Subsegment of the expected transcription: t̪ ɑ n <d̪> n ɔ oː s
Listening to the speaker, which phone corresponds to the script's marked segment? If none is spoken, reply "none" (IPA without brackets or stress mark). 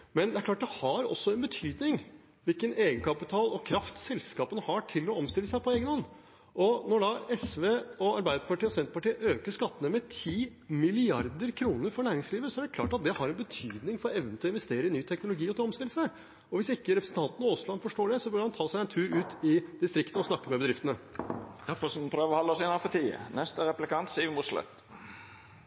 t̪